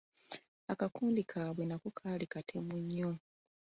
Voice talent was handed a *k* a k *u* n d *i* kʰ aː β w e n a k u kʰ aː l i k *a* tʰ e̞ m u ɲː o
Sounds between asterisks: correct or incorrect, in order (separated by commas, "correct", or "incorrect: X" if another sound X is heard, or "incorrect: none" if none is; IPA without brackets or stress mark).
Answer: correct, incorrect: uː, correct, correct